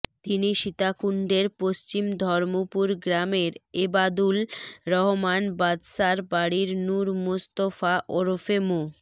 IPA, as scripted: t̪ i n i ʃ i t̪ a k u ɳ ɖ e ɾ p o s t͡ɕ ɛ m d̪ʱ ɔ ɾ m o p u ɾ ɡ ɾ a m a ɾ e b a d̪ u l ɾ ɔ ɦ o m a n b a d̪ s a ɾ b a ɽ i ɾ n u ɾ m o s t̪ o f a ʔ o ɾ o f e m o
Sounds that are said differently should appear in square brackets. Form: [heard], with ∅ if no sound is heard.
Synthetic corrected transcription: t̪ i n i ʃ i t̪ a k u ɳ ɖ e ɾ p o s t͡ɕ [i] m d̪ʱ ɔ ɾ m o p u ɾ ɡ ɾ a m [e] ɾ e b a d̪ u l ɾ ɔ ɦ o m a n b a d̪ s a ɾ b a ɽ i ɾ n u ɾ m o s t̪ o f a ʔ o ɾ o f e m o